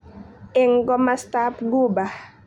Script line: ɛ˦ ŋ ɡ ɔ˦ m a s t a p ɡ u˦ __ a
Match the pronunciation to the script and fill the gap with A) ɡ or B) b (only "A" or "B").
B